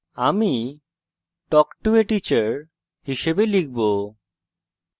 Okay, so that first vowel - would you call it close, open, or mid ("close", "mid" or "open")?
open